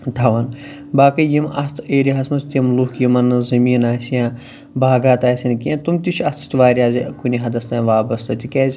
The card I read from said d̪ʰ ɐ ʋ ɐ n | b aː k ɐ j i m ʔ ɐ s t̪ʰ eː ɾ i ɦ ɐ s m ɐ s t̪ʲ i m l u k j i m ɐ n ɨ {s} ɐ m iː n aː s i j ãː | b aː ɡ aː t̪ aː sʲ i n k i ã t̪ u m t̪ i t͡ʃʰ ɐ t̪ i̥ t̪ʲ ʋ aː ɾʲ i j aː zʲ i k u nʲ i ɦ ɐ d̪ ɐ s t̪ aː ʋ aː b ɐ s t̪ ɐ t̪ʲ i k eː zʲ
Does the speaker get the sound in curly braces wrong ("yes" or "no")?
yes